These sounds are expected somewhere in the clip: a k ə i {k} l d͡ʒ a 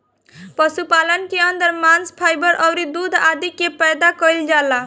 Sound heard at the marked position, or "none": none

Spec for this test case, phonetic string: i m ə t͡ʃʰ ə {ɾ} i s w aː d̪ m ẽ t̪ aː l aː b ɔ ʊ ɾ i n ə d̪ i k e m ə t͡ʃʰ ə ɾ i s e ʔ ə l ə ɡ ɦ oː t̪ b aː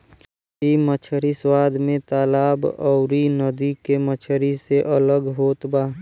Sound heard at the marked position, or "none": ɾ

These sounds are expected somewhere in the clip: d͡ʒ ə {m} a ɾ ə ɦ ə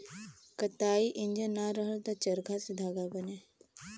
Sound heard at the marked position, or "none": n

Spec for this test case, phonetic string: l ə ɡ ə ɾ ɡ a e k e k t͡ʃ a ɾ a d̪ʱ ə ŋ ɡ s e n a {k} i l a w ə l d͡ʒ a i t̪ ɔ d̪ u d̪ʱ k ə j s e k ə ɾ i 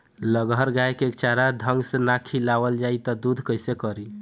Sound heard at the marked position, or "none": kʰ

